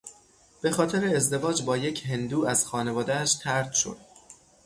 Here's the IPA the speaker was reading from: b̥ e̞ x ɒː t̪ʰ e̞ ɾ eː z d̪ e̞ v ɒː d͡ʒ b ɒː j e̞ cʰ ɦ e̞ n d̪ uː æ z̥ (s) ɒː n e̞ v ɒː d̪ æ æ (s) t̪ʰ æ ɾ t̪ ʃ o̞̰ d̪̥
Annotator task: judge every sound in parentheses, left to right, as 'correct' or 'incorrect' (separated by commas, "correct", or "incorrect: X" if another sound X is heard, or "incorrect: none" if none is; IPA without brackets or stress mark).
incorrect: x, incorrect: ʃ